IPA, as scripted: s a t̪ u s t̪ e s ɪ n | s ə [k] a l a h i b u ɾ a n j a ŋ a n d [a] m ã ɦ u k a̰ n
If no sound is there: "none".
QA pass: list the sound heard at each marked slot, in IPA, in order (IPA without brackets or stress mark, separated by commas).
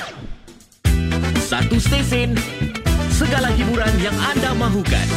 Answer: ɡ, a